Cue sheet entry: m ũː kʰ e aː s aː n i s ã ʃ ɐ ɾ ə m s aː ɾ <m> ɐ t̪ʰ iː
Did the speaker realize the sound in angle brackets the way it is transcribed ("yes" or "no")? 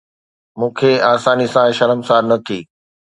no